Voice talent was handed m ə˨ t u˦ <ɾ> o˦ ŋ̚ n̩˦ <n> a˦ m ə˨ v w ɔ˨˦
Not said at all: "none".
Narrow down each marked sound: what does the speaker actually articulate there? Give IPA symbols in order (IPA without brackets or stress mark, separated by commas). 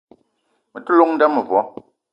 l, d